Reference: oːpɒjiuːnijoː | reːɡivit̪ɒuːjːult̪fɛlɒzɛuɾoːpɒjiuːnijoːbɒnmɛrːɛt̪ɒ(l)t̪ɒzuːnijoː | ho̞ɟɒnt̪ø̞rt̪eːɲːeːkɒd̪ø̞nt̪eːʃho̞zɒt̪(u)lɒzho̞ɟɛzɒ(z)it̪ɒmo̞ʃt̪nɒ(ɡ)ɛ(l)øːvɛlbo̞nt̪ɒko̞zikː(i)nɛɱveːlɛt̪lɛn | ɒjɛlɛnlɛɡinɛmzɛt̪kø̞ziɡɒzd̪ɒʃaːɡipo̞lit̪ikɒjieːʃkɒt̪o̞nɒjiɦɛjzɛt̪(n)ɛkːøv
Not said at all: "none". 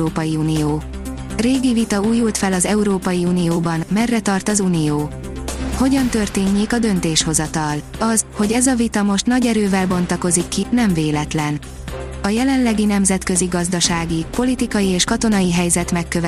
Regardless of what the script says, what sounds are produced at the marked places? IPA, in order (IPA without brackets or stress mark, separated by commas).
r, ɒ, v, ɟ, ɾ, i, m